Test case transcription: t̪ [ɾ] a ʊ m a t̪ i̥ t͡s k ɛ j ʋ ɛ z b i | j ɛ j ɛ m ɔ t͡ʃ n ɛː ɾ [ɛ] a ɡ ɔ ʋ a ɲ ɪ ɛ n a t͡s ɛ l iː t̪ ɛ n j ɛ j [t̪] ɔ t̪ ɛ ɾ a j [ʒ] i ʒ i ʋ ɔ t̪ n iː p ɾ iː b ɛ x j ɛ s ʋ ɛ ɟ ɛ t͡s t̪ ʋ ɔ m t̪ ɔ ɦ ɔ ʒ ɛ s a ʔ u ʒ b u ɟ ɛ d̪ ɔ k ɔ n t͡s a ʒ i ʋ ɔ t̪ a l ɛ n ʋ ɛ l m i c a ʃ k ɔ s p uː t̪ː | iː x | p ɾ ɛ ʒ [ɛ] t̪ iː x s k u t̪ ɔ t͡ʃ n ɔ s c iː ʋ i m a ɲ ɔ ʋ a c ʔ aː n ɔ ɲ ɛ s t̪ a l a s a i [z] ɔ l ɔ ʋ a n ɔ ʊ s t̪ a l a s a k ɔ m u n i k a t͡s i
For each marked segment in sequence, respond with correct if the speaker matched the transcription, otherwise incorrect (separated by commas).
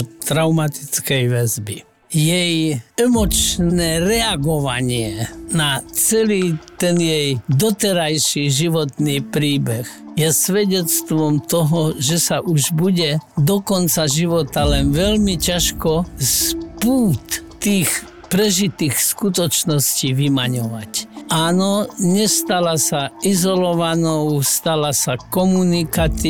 correct, correct, incorrect, incorrect, incorrect, correct